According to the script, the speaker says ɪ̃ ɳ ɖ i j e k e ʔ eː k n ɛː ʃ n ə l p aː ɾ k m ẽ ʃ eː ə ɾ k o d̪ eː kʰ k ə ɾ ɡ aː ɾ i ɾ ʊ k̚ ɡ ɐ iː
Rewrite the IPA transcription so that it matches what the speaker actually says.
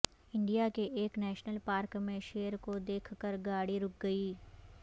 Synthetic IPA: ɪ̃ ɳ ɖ i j a k e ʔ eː k n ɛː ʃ n ə l p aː ɾ k m ẽ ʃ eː ə ɾ k o d̪ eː kʰ k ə ɾ ɡ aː ɽ i ɾ ʊ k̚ ɡ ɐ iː